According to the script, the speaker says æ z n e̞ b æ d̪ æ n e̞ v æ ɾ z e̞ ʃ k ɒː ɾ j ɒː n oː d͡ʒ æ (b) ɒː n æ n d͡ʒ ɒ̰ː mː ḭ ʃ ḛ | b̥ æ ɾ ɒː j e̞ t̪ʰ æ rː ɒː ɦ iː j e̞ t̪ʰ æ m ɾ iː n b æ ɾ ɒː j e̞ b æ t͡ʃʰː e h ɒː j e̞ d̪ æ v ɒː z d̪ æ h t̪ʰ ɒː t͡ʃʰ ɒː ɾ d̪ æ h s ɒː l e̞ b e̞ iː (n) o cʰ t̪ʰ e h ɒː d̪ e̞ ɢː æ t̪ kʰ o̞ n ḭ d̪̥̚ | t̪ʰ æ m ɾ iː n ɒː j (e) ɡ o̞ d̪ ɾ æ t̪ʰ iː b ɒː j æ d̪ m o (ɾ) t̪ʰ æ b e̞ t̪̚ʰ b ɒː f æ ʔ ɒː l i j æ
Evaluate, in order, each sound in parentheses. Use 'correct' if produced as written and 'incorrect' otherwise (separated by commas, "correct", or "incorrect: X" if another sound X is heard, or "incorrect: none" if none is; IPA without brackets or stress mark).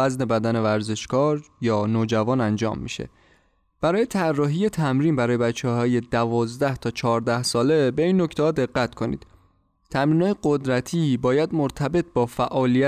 incorrect: v, incorrect: nː, correct, correct